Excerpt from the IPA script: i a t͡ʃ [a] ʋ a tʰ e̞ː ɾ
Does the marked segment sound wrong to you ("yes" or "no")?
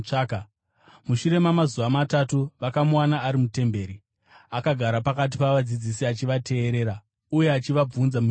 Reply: yes